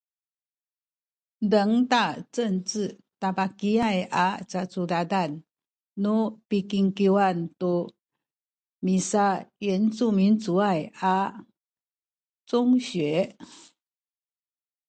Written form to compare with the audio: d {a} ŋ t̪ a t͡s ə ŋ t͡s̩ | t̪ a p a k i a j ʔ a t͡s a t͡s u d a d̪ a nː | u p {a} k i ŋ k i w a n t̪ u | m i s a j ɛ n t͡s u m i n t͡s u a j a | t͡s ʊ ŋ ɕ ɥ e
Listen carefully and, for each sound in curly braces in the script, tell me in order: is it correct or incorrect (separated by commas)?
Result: incorrect, incorrect